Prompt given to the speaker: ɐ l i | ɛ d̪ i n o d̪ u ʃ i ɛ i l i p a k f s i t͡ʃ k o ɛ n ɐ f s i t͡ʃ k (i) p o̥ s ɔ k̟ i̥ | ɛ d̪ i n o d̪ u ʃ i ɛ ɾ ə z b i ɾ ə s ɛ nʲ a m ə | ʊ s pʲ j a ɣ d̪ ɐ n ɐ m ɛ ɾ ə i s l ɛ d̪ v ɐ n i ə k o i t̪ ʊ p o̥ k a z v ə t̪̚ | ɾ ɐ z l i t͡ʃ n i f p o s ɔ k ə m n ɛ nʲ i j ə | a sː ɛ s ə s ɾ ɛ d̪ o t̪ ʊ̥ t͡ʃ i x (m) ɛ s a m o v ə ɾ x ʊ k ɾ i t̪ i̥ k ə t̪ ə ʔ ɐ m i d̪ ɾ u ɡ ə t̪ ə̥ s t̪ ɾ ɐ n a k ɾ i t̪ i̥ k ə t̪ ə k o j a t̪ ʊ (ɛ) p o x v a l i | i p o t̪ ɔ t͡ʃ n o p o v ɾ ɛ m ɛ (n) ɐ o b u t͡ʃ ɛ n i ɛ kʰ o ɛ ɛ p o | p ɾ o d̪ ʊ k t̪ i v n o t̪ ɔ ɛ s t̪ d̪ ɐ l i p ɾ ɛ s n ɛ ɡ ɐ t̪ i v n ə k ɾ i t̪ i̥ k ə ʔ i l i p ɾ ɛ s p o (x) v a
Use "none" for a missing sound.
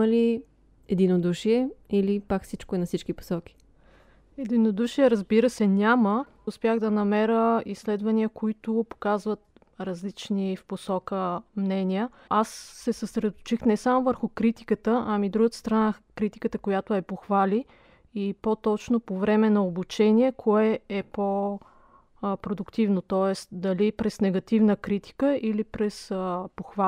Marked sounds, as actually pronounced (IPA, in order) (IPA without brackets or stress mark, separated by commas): i, n, ɛ, n, x